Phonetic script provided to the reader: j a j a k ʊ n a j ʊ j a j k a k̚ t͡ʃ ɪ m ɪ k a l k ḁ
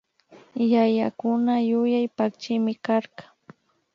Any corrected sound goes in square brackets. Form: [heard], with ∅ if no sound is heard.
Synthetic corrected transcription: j a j a k ʊ n a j ʊ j a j [p] a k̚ t͡ʃ ɪ m ɪ k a [ɾ] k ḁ

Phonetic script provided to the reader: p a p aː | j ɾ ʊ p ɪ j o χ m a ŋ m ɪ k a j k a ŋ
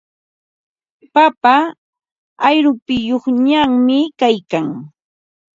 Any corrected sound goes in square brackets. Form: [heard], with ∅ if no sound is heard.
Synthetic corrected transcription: p a p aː | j ɾ ʊ p ɪ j o χ [ɲ] a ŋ m ɪ k a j k a ŋ

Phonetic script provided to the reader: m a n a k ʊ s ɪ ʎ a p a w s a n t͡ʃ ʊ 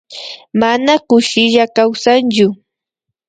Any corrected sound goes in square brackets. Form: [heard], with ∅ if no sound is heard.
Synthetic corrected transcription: m a n a k ʊ [ʃ] ɪ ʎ a [k] a w s a n t͡ʃ ʊ

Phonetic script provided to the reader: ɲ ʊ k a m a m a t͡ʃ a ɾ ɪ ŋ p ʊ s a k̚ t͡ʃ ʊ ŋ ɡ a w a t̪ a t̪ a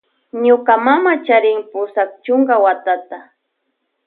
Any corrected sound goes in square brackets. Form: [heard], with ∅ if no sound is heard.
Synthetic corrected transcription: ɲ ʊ k a m a m a t͡ʃ a ɾ ɪ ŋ p ʊ s a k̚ t͡ʃ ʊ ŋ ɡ a w a t̪ a t̪ a

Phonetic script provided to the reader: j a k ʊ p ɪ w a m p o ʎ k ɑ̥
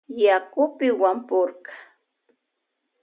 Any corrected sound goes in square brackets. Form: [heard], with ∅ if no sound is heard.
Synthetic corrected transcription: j a k ʊ p ɪ w a m p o [ɾ] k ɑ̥

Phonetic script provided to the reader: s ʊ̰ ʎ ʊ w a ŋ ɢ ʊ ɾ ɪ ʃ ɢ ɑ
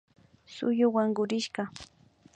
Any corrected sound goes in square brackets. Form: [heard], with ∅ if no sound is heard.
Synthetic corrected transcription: s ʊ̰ [j] ʊ w a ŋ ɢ ʊ ɾ ɪ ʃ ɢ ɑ

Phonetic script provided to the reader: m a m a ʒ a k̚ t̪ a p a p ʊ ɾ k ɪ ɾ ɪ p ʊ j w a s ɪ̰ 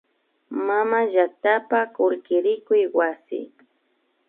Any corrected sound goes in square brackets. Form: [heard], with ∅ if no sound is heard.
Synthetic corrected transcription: m a m a ʒ a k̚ t̪ a p a [k] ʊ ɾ k ɪ ɾ ɪ [k] ʊ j w a s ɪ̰

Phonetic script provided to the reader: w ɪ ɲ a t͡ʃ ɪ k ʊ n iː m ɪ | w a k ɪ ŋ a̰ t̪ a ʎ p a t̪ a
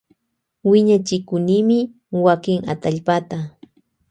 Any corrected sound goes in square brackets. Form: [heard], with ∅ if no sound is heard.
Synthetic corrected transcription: w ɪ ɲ a t͡ʃ ɪ k ʊ n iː m ɪ | w a k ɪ ŋ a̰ t̪ a ʎ p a t̪ a

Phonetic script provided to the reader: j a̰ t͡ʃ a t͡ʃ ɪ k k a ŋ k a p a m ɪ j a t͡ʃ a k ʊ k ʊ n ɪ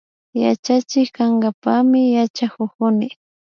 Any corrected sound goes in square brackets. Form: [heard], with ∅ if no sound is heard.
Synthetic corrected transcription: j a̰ t͡ʃ a t͡ʃ ɪ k k a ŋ [ɡ] a p a m ɪ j a t͡ʃ a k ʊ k ʊ n ɪ

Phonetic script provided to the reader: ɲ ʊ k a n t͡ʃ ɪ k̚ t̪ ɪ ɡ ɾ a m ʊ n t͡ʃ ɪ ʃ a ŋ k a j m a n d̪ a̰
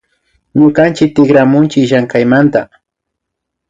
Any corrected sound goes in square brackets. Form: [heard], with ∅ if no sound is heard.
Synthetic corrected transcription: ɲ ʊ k a n t͡ʃ ɪ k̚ t̪ ɪ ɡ ɾ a m ʊ n t͡ʃ ɪ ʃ a ŋ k a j m a n [t̪] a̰

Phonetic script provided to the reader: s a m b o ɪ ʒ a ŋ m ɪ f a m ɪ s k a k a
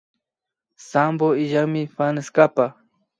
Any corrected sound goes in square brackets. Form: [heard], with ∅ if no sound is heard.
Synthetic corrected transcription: s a m b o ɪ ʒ a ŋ m ɪ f a [n] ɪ s k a [p] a

